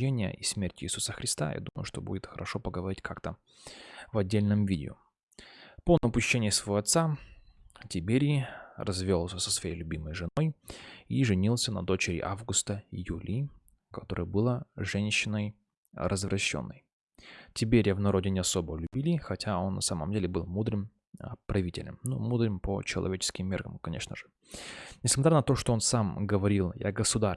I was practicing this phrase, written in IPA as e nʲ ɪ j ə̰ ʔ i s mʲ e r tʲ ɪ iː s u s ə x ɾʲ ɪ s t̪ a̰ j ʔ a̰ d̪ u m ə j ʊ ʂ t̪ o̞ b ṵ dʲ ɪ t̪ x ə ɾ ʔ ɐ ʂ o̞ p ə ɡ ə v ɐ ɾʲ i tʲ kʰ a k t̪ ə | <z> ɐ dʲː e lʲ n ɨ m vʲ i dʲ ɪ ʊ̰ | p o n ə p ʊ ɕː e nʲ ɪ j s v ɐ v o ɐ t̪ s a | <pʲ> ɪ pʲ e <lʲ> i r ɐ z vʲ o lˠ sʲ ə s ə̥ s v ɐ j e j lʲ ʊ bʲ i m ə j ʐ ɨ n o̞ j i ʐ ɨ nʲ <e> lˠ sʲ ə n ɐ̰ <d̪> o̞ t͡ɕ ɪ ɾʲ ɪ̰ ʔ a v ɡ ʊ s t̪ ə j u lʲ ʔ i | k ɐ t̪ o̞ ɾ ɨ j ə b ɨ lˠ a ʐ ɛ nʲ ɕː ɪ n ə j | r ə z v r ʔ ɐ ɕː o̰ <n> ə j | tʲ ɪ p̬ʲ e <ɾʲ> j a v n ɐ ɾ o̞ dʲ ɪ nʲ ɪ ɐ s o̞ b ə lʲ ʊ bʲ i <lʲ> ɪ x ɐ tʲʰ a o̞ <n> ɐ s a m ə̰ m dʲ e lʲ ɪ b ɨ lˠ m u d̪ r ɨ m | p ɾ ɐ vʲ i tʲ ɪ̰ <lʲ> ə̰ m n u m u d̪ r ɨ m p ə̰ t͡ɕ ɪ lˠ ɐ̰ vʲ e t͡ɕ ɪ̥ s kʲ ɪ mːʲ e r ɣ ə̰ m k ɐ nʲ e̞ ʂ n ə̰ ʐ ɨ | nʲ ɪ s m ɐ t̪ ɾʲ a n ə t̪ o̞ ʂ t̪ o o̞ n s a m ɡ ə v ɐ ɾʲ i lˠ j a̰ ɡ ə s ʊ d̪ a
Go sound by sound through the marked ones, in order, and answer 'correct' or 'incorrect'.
incorrect: v, incorrect: tʲ, incorrect: ɾʲ, incorrect: i, correct, incorrect: nː, correct, correct, incorrect: nː, correct

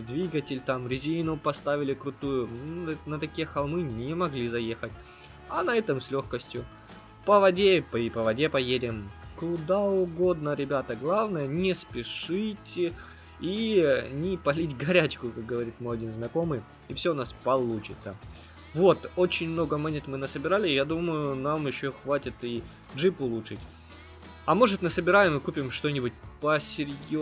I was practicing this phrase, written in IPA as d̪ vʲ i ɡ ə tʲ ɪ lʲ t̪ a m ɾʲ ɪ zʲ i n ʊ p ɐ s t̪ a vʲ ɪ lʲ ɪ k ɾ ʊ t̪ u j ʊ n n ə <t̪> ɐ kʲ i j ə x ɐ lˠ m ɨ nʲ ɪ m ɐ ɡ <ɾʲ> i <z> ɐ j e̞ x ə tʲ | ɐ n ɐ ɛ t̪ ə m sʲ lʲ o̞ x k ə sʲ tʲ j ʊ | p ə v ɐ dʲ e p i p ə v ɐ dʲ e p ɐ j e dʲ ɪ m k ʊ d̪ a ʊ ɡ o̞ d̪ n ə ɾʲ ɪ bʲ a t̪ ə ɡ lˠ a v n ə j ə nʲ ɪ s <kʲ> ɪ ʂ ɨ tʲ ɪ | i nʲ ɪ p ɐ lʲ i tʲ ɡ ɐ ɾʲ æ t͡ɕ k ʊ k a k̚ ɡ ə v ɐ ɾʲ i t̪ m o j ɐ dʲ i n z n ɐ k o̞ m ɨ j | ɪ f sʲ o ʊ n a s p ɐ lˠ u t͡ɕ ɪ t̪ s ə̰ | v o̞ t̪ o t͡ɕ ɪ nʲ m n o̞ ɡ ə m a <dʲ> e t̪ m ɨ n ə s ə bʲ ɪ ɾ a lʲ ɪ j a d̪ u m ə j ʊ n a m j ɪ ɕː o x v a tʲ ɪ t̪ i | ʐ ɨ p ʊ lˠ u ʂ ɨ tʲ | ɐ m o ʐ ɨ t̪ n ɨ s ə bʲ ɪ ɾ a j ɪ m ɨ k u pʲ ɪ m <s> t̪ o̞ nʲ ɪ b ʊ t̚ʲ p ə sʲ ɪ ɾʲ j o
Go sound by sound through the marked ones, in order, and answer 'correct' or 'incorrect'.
correct, incorrect: lʲ, correct, incorrect: pʲ, incorrect: nʲ, incorrect: ʂ

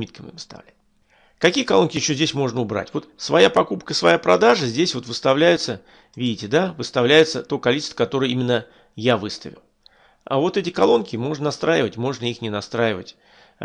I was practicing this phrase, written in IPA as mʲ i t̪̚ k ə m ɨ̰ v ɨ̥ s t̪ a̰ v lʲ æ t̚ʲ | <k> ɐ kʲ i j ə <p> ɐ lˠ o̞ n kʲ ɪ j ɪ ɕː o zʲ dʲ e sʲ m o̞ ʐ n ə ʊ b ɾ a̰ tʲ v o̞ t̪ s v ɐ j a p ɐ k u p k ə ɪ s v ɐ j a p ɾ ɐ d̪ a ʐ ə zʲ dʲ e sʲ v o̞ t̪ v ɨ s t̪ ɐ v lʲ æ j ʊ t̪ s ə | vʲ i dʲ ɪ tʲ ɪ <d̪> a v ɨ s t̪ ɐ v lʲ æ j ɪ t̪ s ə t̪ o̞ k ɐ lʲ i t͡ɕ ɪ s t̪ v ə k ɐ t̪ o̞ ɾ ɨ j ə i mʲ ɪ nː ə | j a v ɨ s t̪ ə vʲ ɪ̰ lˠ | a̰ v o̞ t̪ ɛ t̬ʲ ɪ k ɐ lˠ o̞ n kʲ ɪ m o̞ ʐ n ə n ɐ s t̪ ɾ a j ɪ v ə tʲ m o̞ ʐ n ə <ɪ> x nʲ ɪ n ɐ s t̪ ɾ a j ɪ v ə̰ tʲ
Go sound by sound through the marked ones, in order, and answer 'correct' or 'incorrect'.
correct, incorrect: k, correct, incorrect: i

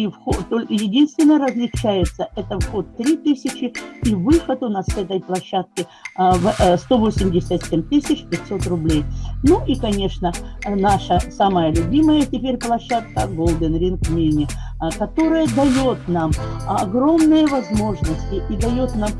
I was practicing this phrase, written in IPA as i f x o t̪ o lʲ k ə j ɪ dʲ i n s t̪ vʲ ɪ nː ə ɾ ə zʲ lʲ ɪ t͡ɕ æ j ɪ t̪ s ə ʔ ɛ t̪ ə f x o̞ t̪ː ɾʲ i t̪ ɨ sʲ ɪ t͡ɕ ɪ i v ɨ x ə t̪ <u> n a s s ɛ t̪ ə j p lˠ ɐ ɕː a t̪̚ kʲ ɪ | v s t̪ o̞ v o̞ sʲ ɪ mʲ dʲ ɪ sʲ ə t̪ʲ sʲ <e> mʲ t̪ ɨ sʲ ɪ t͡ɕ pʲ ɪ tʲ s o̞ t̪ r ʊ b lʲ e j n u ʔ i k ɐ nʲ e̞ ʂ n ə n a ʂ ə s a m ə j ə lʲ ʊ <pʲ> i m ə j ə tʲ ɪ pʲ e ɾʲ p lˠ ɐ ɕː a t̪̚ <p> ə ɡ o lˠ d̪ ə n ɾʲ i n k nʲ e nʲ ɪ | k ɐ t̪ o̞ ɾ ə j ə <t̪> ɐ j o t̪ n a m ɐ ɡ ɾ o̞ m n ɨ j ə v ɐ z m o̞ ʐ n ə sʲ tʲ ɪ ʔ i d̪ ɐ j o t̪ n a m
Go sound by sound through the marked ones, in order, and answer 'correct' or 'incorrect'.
incorrect: ʊ, correct, incorrect: bʲ, incorrect: k, incorrect: d̪

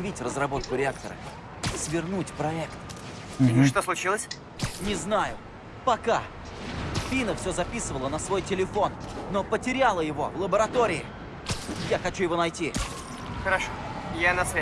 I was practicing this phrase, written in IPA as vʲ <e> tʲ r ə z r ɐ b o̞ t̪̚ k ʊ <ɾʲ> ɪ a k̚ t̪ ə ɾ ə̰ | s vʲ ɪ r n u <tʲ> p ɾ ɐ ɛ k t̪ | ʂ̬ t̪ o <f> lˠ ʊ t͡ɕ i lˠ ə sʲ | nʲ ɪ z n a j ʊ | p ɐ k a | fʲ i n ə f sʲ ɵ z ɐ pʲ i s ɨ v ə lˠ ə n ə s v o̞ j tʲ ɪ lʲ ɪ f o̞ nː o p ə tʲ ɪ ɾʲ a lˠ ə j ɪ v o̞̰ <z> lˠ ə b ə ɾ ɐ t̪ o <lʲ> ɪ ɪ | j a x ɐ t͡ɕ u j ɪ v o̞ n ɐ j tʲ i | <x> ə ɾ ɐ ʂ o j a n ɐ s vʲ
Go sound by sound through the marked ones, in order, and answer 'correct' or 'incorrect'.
incorrect: i, correct, correct, incorrect: s, incorrect: v, incorrect: ɾʲ, correct

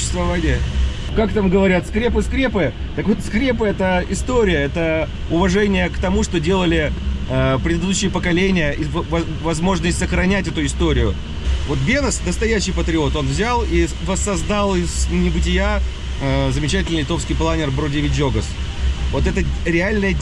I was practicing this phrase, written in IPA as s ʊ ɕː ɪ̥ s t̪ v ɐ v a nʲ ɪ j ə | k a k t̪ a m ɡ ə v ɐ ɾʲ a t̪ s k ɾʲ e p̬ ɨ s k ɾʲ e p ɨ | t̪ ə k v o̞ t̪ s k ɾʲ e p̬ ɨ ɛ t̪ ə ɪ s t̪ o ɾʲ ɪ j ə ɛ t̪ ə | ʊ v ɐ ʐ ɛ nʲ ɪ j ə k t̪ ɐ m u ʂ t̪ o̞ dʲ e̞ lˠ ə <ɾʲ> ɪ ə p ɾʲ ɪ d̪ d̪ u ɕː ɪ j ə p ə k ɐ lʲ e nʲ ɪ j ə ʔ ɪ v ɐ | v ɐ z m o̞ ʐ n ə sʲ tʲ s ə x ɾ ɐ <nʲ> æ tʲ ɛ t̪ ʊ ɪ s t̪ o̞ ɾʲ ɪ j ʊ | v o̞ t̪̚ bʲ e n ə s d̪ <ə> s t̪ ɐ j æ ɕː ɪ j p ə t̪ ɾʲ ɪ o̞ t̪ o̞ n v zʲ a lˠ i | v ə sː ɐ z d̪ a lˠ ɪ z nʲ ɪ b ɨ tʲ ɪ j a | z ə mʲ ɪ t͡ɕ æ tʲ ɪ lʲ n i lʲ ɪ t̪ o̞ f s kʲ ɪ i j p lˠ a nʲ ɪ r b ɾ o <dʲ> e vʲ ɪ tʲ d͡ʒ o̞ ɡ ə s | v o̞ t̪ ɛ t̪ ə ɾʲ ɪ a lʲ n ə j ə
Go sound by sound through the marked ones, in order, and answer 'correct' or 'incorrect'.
incorrect: lʲ, correct, correct, correct

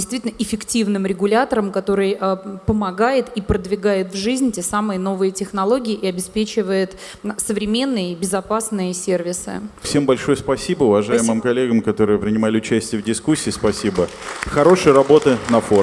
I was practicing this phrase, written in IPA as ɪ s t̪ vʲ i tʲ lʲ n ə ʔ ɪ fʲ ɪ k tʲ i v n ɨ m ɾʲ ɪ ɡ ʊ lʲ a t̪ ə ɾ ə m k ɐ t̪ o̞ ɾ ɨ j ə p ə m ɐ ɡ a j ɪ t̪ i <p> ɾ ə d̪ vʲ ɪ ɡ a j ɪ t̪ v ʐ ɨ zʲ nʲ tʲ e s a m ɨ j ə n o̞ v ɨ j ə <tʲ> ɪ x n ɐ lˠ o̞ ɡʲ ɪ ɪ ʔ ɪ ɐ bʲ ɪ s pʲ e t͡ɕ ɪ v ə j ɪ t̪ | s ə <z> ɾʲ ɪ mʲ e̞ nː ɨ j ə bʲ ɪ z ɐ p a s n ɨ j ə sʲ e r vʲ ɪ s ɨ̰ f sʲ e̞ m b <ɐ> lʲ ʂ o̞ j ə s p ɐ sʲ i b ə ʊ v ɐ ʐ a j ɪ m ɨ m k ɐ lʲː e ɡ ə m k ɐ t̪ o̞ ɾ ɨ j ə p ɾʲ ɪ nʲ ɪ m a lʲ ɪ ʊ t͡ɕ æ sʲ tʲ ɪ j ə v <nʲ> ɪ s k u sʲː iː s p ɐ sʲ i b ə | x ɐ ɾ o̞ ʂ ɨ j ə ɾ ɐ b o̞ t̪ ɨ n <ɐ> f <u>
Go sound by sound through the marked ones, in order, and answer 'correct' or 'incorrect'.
correct, correct, incorrect: v, correct, incorrect: dʲ, correct, incorrect: o

